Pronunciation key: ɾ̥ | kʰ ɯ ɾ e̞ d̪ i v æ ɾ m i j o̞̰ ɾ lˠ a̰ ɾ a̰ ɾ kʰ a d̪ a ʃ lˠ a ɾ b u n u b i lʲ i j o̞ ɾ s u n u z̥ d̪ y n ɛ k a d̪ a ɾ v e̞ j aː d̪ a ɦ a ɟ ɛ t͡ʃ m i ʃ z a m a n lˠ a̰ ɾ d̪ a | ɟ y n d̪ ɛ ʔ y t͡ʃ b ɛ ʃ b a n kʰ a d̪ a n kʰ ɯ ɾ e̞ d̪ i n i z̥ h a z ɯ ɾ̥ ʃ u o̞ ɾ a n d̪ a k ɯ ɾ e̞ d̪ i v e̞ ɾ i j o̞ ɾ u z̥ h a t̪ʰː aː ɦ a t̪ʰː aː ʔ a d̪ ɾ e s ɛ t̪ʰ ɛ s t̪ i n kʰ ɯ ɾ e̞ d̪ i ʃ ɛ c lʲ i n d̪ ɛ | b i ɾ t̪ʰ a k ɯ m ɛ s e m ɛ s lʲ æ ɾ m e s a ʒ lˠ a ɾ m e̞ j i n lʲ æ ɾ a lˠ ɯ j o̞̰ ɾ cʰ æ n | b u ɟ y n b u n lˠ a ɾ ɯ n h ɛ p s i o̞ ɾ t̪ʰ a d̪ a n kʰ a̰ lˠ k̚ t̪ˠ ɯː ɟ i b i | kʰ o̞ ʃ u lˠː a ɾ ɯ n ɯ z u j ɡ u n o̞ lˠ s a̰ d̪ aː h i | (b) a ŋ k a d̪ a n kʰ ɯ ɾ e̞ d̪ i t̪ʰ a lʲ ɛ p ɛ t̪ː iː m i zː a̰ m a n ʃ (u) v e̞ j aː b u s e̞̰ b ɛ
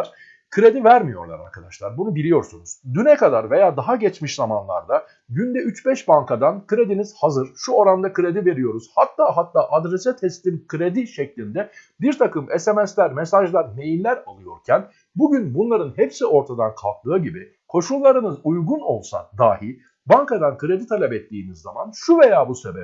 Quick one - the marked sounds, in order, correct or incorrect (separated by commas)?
correct, correct